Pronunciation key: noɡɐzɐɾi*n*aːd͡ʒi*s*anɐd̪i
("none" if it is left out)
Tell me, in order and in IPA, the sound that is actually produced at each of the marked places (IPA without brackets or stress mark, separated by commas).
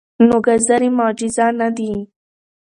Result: m, z